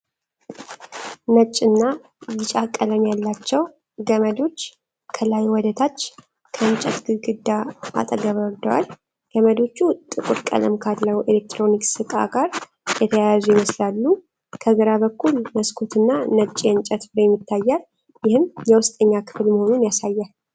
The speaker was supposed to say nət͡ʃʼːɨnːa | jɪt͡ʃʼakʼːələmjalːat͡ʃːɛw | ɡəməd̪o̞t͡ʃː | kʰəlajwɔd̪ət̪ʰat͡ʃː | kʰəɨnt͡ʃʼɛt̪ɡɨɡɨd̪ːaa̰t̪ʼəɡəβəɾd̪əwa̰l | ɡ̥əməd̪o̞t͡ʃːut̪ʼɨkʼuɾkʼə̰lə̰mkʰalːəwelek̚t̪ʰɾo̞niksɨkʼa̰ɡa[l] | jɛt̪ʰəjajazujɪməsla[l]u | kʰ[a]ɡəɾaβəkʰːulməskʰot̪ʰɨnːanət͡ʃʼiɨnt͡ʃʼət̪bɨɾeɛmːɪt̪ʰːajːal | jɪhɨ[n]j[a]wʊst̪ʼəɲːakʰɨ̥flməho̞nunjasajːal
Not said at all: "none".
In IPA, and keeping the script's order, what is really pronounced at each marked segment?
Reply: ɾ, lː, ə, m, ɛ

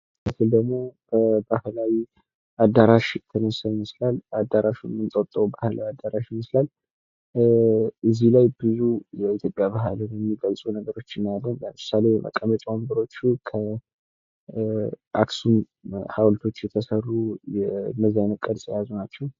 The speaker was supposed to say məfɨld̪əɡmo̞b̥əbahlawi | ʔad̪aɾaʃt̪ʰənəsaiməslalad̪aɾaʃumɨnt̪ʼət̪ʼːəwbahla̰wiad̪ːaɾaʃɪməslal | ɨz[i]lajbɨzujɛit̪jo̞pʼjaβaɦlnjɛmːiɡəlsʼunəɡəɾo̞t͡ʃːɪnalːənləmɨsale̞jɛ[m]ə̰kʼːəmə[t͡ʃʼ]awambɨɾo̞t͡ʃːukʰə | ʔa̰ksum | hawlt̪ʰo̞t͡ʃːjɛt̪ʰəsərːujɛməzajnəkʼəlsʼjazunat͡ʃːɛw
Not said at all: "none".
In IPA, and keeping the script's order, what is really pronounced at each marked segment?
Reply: i, m, t͡ʃʼ

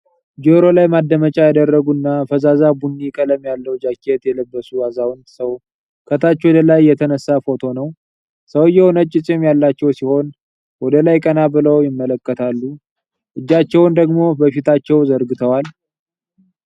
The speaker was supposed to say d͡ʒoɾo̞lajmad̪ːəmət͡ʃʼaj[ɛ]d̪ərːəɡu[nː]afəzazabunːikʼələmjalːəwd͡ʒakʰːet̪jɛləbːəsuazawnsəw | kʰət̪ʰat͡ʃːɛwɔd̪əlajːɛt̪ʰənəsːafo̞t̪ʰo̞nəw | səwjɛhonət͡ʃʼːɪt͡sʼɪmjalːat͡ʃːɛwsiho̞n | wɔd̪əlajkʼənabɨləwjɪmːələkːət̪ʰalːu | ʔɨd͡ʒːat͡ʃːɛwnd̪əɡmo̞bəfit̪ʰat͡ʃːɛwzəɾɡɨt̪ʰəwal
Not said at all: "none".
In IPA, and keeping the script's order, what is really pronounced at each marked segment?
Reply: a, nː

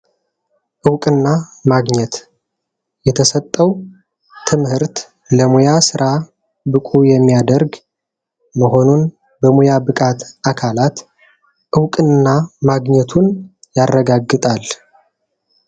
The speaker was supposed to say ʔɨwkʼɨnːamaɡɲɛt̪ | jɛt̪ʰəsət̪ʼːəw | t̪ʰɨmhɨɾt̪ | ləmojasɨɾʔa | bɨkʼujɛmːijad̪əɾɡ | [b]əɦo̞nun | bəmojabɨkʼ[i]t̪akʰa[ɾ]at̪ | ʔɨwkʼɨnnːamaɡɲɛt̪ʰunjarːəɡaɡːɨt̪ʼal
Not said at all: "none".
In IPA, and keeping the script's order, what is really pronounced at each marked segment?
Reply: m, a, l

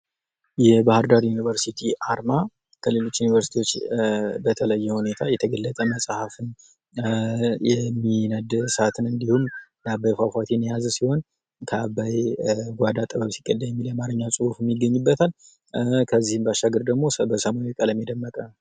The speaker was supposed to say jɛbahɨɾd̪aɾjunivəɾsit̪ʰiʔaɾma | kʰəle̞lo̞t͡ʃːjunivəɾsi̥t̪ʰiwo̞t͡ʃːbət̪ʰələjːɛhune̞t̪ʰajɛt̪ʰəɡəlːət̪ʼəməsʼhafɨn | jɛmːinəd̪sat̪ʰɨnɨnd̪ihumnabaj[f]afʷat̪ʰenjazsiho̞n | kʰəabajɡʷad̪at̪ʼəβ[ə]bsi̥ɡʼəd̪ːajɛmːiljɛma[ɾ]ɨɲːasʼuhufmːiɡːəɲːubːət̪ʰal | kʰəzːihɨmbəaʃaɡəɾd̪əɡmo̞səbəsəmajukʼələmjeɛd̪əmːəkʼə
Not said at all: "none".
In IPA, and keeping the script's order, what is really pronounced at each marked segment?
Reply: f, ə, ɾ

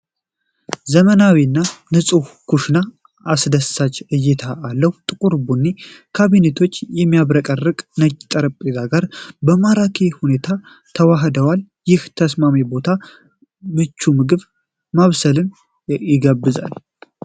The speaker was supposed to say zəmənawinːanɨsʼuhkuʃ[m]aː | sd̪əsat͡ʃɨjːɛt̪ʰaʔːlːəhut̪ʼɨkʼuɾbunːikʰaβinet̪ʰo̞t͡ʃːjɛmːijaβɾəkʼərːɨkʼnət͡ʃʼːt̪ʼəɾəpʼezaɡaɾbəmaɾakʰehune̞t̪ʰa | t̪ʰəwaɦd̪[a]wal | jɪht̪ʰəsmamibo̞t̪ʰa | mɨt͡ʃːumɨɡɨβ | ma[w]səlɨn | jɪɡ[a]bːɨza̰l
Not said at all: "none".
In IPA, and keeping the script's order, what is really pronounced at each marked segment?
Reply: n, ə, β, ə

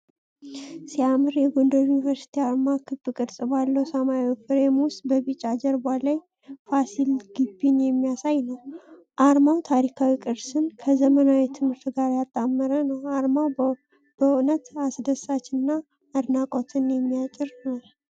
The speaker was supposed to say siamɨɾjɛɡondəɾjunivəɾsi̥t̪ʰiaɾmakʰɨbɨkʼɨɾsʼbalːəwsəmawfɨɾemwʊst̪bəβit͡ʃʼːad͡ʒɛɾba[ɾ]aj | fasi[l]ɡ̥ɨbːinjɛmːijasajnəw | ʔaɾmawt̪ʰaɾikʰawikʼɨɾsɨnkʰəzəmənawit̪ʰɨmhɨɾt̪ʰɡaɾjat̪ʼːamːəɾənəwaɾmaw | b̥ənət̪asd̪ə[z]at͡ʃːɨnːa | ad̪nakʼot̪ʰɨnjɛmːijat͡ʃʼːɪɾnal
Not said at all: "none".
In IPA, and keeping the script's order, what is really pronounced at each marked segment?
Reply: l, l, s

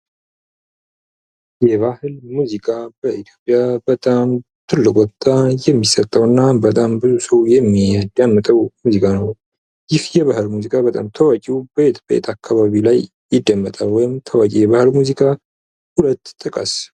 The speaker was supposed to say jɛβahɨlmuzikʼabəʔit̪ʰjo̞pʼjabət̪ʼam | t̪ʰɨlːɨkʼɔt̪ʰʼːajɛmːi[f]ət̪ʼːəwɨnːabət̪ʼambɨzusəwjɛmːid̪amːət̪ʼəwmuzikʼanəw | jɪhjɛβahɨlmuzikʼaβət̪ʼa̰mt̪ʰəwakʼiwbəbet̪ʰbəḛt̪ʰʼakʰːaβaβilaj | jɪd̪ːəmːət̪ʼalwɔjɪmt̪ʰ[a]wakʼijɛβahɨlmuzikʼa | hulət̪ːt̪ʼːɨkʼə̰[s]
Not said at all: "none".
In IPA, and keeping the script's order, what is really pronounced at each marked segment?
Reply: s, ə, s

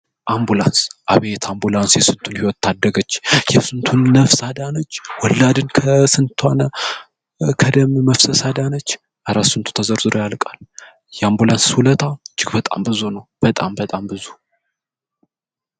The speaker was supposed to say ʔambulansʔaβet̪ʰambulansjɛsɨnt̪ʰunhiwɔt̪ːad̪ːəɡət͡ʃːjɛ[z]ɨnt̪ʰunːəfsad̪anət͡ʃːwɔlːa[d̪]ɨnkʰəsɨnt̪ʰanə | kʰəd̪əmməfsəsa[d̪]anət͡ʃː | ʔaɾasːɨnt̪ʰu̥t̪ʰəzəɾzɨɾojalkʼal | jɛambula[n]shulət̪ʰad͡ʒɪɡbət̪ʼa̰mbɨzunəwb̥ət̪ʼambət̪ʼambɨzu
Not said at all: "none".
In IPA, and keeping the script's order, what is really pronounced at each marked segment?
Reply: s, d̪, d̪, n

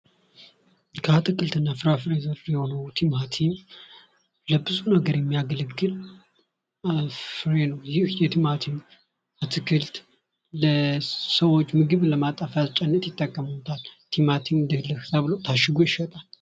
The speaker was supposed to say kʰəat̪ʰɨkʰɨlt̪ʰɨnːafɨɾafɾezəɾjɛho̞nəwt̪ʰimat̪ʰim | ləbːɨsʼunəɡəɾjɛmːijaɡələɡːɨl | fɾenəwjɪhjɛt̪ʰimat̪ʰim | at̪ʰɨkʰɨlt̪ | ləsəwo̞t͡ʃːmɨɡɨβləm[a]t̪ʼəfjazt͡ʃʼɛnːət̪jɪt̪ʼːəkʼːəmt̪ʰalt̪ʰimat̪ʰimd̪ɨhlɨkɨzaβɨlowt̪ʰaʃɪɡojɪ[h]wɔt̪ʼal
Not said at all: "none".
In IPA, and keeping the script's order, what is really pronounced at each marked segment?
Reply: a, ʃ

